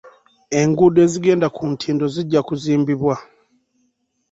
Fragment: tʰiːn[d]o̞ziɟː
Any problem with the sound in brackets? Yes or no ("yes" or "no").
no